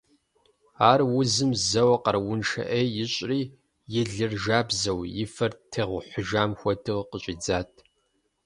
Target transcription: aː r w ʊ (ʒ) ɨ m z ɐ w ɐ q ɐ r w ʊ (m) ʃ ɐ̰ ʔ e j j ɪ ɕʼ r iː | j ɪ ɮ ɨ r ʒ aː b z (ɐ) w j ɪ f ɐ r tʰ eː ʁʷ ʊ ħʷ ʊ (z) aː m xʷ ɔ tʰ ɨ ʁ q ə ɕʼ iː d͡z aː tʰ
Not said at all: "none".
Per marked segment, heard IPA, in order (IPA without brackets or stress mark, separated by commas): z, n, ɐ, ʒ